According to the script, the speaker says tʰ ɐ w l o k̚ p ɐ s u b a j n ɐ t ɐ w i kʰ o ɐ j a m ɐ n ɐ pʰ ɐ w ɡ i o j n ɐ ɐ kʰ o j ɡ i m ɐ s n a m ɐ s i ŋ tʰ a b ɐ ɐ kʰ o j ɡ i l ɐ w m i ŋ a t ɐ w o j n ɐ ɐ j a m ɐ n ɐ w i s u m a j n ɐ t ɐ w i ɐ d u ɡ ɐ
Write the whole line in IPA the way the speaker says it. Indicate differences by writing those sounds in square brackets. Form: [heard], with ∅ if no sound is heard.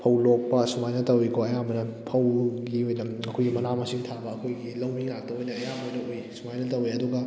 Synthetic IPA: [pʰ] ɐ w l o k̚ p ɐ s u [m] a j n ɐ t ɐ w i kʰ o ɐ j a m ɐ n ɐ pʰ ɐ w ɡ i o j n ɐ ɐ kʰ o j ɡ i m ɐ [∅] n a m ɐ s i ŋ tʰ a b ɐ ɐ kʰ o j ɡ i l ɐ w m i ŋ a t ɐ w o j n ɐ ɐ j a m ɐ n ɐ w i s u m a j n ɐ t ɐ w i ɐ d u ɡ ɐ